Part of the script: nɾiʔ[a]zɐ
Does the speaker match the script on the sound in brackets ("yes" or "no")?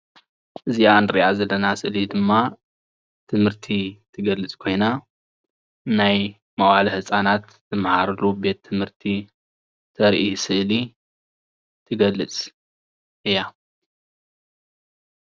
yes